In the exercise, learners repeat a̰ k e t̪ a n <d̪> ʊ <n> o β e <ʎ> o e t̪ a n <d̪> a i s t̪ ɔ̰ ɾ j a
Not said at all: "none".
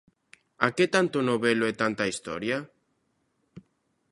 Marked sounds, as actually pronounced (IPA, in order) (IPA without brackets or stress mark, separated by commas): t̪, n, l, t̪